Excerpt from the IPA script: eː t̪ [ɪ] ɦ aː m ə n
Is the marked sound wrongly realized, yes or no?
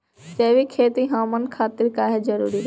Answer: yes